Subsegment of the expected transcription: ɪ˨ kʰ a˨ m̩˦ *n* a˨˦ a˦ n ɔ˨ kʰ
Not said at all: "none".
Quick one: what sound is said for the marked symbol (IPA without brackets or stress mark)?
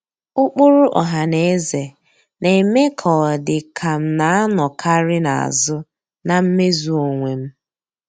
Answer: n